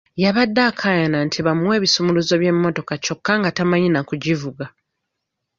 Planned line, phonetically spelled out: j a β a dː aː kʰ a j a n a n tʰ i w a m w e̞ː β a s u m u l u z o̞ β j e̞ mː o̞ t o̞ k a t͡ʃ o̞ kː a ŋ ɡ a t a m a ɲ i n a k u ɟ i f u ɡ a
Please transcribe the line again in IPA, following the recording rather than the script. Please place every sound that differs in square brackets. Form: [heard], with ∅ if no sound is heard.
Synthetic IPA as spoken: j a β a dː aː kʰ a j a n a n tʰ i [β] a m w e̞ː β [i] s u m u l u z o̞ β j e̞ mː o̞ t o̞ k a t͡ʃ o̞ kː a ŋ ɡ a t a m a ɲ i n a k u ɟ i [v] u ɡ a